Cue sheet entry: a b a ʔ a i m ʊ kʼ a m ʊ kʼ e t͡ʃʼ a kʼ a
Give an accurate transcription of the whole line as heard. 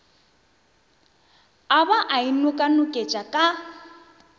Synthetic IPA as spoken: a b a ʔ a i n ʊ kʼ a n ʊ kʼ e t͡ʃʼ a kʼ a